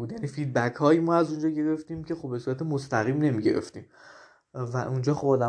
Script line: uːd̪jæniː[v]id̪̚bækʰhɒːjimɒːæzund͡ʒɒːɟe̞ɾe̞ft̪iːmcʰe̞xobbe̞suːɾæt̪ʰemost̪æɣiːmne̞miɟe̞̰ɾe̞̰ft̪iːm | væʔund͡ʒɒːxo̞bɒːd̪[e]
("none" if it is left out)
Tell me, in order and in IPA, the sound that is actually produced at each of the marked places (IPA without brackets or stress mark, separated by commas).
f, æ